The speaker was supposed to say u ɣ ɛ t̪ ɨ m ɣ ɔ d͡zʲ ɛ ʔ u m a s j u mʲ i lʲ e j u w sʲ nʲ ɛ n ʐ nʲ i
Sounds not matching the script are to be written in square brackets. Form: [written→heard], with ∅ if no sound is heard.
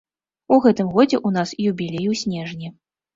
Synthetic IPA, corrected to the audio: u ɣ ɛ t̪ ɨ m ɣ ɔ d͡zʲ ɛ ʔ u [m→n] a s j u [mʲ→bʲ] i lʲ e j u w sʲ nʲ ɛ [n→∅] ʐ nʲ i